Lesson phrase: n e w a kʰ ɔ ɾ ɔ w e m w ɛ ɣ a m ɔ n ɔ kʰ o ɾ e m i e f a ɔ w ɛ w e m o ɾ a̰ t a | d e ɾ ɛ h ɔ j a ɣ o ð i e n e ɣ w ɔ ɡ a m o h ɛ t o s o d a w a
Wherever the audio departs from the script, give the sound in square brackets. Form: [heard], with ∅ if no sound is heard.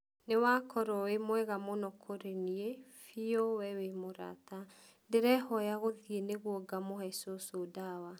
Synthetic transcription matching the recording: n e w a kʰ ɔ ɾ ɔ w e m w ɛ ɣ a m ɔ n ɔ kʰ o ɾ e [n] i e f [i] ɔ w ɛ w e m o ɾ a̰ t a | d e ɾ ɛ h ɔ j a ɣ o ð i e n e ɣ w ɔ ɡ a m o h ɛ [s] o s o d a w a